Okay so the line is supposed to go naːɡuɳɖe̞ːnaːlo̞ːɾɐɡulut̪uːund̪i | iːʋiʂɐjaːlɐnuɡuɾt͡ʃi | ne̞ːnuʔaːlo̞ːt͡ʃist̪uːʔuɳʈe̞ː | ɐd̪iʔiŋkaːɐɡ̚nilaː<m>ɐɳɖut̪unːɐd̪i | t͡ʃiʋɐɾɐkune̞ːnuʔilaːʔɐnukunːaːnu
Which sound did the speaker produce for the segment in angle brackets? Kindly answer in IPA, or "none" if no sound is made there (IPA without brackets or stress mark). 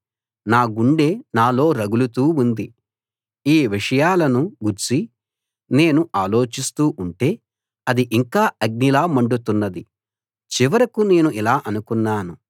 m